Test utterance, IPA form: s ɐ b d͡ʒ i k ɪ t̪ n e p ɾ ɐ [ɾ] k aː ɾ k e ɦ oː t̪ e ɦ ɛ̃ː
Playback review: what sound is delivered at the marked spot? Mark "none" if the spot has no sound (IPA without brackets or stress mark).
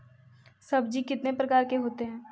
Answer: none